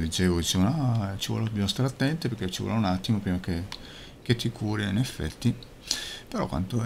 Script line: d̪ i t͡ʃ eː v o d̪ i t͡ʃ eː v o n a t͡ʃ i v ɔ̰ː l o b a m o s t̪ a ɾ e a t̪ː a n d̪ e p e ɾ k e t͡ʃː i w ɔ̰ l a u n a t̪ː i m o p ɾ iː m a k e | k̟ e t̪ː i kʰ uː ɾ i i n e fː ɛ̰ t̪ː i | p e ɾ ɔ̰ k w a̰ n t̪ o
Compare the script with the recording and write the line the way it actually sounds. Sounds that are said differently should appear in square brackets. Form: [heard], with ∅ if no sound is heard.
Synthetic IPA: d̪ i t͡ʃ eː v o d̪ i t͡ʃ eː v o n a t͡ʃ i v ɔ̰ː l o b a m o s t̪ a ɾ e a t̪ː [ɛ] n [t̪] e p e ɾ k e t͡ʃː i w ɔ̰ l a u n a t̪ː i m o p ɾ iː m a k e | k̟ e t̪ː i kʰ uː ɾ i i n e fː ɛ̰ t̪ː i | p e ɾ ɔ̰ k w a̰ n t̪ o